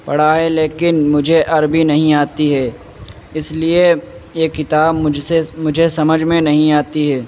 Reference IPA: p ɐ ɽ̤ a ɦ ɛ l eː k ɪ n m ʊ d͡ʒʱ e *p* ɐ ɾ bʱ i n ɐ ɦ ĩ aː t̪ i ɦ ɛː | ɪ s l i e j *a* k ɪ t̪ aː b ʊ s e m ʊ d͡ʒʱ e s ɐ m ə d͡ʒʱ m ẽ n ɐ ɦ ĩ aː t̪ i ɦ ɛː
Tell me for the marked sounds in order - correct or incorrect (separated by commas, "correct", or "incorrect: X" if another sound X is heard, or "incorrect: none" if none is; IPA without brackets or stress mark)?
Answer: incorrect: ʔ, incorrect: e